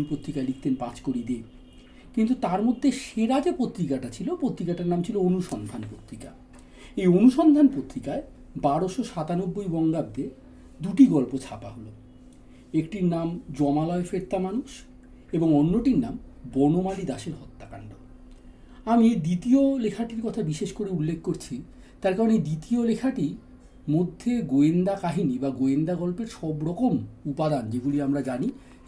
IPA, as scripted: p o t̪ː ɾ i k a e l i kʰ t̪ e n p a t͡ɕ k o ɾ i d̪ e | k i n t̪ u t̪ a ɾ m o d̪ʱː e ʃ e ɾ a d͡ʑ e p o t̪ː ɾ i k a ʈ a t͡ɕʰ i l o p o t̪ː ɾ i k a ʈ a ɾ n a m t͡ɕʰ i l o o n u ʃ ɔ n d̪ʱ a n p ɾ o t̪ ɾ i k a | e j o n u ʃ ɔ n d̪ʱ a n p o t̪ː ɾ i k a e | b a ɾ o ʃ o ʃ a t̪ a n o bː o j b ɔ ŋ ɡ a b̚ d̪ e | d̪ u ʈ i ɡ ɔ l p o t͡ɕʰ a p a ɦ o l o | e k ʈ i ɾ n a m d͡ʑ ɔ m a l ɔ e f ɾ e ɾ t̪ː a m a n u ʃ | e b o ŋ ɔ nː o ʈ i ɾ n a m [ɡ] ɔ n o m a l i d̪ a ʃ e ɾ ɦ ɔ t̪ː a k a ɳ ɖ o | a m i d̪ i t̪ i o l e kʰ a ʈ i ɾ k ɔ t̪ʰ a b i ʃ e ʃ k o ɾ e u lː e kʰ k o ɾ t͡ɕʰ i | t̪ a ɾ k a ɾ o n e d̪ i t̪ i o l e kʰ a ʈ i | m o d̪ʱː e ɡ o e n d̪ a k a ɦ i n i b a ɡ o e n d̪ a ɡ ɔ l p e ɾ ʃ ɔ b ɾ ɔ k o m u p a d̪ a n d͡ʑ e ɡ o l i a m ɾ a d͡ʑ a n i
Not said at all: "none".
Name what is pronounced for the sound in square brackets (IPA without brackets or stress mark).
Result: b